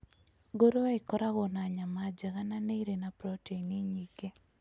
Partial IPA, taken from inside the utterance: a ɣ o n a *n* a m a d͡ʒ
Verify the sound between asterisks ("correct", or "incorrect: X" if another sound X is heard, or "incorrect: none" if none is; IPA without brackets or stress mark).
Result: incorrect: ɲ